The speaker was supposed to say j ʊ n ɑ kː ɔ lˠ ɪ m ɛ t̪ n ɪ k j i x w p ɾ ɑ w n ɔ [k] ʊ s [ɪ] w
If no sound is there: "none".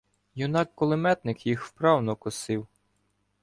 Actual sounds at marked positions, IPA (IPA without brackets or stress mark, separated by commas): k, ɪ